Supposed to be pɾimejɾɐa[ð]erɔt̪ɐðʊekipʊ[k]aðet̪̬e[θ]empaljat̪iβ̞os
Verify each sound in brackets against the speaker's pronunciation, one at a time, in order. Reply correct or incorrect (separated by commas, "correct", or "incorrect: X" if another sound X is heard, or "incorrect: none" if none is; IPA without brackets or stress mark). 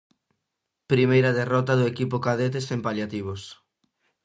correct, correct, incorrect: s